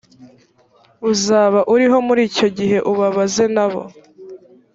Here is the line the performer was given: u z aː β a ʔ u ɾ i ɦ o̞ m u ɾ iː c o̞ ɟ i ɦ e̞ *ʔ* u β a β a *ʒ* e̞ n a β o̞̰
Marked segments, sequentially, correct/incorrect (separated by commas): correct, incorrect